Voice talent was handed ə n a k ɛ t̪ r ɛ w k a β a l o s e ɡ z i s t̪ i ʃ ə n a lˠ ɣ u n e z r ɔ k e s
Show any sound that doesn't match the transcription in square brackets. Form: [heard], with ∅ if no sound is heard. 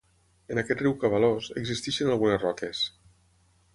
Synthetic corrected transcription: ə n a k ɛ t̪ r [i] w k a β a l o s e ɡ z i s t̪ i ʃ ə n a lˠ ɣ u n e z r ɔ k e s